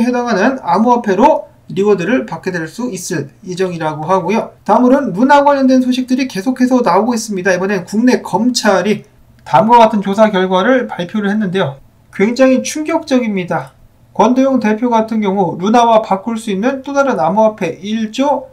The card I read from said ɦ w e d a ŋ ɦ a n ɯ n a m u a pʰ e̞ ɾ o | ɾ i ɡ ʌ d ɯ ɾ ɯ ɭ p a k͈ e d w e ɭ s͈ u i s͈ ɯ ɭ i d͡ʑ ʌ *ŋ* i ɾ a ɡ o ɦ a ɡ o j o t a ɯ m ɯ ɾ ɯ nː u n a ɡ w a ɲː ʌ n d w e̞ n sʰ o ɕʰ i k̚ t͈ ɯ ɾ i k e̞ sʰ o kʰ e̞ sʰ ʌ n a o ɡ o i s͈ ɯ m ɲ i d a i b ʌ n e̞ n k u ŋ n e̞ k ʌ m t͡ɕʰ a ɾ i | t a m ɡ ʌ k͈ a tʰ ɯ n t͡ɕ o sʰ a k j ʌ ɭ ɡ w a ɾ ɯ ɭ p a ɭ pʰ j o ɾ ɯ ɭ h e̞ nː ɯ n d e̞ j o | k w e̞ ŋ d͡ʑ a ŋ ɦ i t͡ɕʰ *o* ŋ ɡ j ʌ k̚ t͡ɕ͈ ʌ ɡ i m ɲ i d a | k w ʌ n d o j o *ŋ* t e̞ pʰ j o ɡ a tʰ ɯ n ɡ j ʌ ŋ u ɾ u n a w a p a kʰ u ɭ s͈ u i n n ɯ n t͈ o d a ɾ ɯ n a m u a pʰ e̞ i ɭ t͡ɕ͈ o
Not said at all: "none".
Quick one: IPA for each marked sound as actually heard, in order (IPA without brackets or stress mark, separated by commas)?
ŋ, u, ŋ